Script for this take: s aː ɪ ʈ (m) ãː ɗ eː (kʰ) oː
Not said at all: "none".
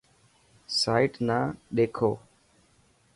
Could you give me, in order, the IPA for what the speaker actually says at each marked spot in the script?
n, kʰ

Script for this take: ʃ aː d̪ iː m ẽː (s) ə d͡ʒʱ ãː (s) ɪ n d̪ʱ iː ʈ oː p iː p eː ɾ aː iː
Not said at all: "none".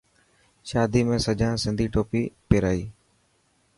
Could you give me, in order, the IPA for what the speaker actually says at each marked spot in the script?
s, s

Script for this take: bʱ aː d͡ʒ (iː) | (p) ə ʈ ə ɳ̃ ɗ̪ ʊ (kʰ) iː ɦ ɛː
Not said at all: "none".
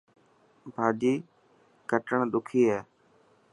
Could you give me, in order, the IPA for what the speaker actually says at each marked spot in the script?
iː, k, kʰ

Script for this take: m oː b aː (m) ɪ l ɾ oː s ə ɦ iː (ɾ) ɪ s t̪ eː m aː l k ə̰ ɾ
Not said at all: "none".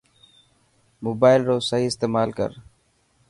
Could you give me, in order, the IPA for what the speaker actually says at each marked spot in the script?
none, none

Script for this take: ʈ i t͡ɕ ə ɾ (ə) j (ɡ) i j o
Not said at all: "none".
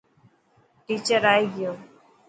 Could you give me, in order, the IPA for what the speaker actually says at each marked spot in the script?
a, ɡ

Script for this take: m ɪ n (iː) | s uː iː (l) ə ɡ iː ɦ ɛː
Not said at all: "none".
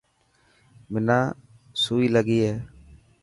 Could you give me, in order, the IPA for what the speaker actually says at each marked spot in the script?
aː, l

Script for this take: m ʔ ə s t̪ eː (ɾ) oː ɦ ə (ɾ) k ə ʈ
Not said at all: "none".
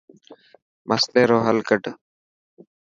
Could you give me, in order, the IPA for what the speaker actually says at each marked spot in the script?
ɾ, l

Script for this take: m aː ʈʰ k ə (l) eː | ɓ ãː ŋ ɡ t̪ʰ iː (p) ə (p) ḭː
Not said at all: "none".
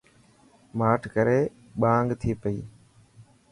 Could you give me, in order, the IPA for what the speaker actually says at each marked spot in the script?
ɾ, p, none

